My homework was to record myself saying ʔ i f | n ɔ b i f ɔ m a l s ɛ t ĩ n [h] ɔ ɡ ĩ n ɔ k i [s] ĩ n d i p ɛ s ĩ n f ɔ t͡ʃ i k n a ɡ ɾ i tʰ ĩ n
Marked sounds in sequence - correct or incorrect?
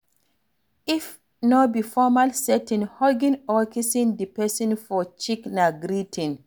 correct, correct

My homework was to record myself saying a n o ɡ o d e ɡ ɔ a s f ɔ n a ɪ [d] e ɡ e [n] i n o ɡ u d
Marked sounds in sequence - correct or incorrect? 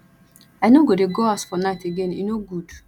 incorrect: t, correct

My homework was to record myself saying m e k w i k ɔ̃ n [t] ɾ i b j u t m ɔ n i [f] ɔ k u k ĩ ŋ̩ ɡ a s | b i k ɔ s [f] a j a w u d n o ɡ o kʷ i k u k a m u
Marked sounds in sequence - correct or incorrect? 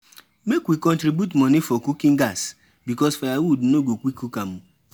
correct, correct, correct

